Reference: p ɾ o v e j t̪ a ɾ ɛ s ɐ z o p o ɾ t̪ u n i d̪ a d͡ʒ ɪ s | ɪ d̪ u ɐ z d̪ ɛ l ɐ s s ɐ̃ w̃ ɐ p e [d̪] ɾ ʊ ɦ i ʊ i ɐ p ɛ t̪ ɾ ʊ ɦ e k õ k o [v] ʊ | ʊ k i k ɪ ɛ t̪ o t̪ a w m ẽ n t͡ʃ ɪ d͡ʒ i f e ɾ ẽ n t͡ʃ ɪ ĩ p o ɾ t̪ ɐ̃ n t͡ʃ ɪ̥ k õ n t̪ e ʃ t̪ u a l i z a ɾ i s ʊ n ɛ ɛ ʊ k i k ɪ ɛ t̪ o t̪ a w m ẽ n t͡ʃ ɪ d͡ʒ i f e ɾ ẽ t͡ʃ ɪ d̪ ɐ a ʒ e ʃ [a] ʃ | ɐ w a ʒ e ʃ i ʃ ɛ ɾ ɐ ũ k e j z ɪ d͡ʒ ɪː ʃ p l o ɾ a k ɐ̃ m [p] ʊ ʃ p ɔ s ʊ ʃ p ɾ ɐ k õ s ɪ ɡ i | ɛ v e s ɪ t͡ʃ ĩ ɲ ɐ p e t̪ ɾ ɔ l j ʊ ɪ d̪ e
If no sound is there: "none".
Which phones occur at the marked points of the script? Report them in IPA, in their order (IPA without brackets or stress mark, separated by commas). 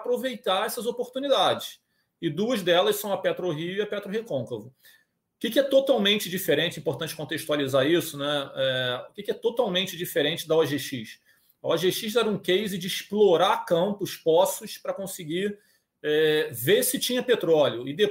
t̪, v, i, p